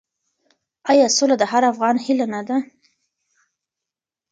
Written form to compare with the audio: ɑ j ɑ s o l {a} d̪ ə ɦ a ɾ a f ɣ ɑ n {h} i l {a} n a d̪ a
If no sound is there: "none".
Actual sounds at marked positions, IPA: a, h, a

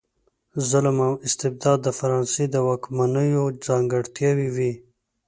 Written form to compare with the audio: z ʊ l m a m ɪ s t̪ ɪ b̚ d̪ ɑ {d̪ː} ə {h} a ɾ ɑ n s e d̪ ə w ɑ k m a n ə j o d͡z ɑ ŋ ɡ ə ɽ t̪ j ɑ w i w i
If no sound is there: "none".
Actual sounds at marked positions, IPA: d̪ː, f

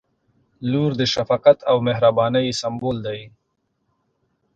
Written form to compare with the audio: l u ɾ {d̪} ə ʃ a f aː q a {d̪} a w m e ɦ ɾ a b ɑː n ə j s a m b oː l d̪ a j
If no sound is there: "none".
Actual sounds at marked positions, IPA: d̪, t̪

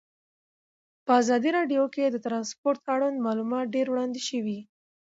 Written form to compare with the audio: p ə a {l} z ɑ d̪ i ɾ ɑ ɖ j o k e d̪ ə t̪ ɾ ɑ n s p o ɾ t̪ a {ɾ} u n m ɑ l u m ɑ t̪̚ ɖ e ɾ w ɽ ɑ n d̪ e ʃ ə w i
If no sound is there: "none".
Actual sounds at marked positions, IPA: none, ɽ

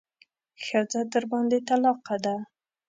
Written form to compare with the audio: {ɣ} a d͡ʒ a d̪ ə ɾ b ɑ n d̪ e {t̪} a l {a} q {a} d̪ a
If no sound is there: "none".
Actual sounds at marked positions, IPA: x, t̪, ɑ, a

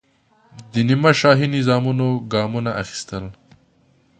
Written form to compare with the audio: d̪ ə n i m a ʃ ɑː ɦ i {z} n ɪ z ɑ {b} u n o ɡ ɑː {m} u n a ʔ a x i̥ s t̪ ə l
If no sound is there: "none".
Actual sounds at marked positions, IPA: none, m, m

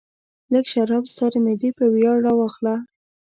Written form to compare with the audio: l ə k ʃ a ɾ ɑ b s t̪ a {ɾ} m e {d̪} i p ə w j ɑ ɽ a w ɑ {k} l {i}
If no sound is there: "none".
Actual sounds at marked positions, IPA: ɾ, d̪, x, a

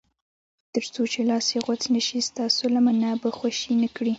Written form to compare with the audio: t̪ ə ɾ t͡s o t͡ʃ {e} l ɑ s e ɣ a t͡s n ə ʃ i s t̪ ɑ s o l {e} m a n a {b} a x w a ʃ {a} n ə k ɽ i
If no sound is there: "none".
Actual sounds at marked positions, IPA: e, a, b, i

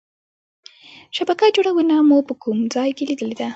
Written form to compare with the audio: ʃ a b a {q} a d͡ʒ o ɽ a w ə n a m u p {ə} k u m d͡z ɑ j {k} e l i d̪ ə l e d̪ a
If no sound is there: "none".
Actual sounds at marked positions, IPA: k, ə, k

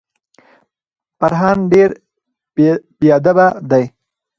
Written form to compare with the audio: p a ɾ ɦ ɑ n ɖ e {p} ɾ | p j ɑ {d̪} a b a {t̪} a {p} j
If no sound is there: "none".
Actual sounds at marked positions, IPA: none, d̪, d̪, none

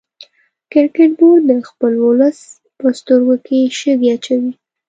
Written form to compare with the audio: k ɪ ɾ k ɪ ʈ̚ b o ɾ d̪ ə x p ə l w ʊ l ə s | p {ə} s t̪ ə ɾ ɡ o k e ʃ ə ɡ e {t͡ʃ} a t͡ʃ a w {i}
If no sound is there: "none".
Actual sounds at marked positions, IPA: ə, none, i

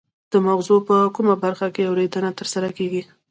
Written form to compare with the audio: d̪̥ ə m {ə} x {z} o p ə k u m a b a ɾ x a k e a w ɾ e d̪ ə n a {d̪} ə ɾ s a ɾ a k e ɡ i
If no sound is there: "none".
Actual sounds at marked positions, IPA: a, z, t̪

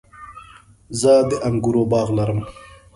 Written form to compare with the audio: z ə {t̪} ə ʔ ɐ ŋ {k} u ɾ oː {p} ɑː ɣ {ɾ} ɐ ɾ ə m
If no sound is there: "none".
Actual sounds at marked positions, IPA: d̪, ɡ, b, l

